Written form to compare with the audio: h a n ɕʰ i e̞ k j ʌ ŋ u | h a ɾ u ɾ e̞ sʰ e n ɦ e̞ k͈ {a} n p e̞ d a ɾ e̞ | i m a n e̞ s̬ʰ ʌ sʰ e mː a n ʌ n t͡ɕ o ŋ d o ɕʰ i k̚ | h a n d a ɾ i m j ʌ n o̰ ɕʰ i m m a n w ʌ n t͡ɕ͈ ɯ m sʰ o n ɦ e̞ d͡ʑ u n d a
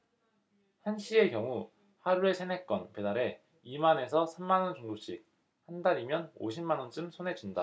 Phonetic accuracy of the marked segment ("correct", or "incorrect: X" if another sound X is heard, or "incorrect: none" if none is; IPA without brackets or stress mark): incorrect: ʌ